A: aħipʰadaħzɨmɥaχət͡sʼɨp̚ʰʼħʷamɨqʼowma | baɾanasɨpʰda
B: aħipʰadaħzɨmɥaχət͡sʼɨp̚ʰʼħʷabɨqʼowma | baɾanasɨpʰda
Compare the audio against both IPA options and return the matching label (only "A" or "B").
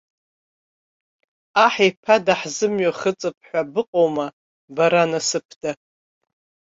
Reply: B